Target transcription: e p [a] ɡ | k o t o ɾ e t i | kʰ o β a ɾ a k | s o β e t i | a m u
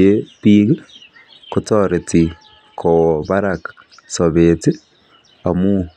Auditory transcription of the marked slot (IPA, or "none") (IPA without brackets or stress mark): i